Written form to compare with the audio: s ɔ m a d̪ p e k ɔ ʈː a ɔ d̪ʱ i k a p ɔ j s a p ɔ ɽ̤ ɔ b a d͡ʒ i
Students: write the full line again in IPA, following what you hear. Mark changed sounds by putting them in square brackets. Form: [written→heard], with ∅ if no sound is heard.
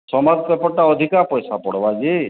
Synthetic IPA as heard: s ɔ m a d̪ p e [k→p] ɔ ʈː a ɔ d̪ʱ i k a p ɔ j s a p ɔ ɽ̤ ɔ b a d͡ʒ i